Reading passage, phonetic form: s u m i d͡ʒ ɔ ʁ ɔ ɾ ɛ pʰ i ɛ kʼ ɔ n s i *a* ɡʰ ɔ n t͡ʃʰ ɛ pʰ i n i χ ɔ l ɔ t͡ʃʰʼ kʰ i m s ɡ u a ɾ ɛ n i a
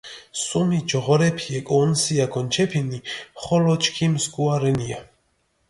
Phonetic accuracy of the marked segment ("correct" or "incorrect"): correct